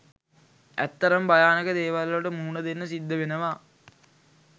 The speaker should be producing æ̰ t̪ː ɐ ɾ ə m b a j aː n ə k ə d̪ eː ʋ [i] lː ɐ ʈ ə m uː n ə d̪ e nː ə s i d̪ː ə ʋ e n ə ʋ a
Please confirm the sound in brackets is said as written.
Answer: no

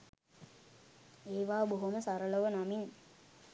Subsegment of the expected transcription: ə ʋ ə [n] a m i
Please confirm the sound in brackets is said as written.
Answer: yes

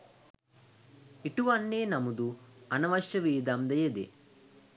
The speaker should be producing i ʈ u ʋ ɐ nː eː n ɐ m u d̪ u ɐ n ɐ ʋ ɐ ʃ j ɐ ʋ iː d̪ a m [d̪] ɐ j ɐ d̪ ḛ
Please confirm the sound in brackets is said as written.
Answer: yes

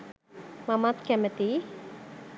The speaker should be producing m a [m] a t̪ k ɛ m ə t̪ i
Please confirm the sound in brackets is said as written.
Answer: yes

